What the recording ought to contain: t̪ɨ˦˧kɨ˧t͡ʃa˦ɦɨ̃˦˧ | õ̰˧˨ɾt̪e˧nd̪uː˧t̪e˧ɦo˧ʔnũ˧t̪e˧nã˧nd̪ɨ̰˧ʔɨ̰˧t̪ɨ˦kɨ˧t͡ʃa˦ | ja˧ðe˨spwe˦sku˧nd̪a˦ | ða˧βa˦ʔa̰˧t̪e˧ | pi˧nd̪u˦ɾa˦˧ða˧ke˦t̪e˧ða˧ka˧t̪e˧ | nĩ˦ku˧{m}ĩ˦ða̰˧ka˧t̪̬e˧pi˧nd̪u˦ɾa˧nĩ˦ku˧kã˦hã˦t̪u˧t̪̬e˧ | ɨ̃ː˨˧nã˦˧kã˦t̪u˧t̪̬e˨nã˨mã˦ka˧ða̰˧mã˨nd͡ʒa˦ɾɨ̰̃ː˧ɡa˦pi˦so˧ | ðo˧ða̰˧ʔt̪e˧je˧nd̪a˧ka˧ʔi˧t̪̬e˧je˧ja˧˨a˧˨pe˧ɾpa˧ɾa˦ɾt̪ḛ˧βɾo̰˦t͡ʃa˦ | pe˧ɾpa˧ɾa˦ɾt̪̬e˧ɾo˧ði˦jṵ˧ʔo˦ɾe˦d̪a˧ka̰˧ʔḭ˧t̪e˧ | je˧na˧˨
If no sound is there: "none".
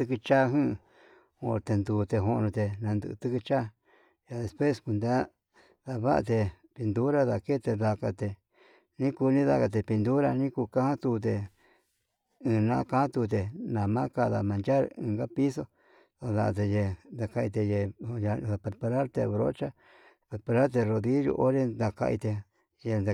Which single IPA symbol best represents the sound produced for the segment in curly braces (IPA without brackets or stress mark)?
n